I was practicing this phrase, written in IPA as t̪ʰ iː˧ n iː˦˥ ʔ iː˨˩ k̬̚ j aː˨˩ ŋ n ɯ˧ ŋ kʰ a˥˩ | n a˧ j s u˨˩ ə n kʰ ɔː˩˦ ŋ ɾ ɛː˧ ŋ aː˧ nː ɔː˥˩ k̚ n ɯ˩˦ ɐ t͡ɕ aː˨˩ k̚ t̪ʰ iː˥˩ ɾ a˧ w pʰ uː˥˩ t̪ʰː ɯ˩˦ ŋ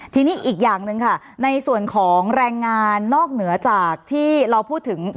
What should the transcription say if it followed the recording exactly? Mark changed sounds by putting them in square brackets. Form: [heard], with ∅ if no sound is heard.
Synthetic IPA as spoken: t̪ʰ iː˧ n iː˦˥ ʔ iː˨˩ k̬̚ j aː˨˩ ŋ n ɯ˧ ŋ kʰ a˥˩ | n a˧ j s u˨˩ ə n kʰ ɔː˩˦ ŋ ɾ ɛː˧ [ŋː] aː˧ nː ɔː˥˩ k̚ n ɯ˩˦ ɐ t͡ɕ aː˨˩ k̚ t̪ʰ iː˥˩ ɾ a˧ w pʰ uː˥˩ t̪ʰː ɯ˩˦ ŋ